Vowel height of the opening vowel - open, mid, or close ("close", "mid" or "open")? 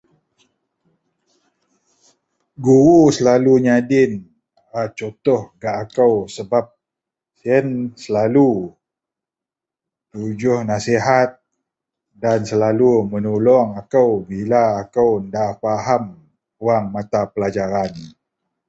close